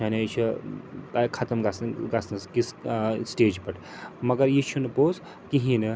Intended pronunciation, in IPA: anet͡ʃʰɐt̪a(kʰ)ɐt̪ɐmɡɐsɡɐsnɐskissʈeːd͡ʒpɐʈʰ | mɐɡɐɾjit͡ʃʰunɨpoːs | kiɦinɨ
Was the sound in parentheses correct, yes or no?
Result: yes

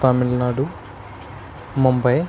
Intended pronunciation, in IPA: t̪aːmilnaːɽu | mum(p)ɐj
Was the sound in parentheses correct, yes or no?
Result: no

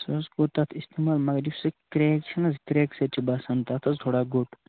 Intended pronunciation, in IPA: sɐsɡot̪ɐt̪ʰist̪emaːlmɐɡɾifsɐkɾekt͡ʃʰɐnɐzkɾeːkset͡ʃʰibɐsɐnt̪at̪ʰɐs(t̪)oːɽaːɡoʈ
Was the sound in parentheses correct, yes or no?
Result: no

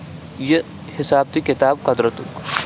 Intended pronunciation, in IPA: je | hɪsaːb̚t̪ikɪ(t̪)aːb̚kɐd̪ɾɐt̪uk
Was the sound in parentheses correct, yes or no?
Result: yes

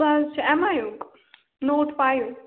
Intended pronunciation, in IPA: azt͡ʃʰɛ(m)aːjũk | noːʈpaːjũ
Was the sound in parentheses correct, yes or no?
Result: yes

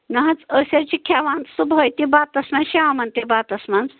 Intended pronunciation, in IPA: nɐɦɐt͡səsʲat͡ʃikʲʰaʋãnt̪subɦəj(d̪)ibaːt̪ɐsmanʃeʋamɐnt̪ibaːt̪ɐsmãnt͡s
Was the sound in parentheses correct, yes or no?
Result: no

